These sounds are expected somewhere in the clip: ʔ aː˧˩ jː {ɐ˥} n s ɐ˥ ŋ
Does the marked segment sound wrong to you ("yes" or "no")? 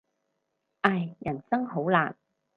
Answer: yes